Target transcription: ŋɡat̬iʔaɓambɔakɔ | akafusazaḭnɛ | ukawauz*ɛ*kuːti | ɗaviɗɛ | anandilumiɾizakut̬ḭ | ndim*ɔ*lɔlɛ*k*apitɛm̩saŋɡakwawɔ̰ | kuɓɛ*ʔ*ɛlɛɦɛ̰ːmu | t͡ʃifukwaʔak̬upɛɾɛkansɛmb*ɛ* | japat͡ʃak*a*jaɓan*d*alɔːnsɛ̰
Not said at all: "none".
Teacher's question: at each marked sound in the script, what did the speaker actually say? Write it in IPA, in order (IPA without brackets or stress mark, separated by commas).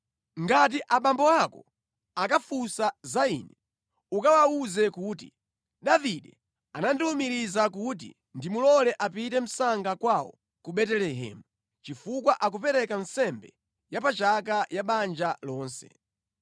ɛ, u, ʔ, t, ɛ, a, d͡ʒ